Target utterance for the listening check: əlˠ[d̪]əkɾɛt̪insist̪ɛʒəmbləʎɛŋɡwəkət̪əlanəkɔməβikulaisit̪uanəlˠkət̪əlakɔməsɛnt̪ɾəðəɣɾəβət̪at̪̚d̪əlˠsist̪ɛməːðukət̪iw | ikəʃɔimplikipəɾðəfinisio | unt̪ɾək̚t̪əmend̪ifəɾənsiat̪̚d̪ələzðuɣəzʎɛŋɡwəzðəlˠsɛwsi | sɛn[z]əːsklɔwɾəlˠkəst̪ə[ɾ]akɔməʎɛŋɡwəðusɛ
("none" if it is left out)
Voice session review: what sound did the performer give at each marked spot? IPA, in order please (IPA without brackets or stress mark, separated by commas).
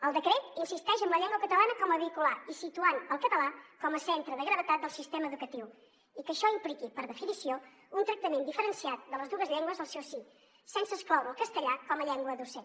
d̪, s, ʎ